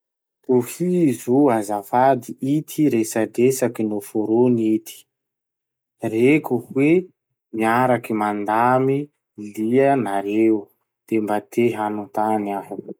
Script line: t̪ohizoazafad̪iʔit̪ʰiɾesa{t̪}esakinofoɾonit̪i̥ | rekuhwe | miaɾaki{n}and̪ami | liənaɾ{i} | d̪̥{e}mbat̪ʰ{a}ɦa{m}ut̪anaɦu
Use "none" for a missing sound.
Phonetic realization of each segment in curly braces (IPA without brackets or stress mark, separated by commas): d̪, m, e, e, e, n